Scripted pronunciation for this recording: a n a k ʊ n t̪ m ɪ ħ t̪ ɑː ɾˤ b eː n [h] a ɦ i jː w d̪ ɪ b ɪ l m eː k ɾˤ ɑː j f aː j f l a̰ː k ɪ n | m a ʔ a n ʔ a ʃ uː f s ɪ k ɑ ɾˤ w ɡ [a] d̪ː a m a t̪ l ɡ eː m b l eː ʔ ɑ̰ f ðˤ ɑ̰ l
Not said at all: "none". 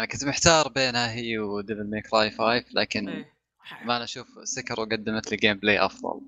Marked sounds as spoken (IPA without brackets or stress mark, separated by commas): h, a